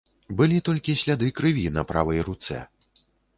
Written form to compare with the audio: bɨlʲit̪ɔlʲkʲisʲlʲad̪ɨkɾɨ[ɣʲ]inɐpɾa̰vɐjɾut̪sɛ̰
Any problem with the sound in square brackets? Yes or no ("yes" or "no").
yes